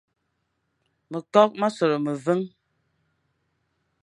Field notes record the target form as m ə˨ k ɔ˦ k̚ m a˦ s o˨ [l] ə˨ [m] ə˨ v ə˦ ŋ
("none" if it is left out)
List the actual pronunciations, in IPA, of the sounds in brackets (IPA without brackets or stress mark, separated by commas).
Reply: ɾ, m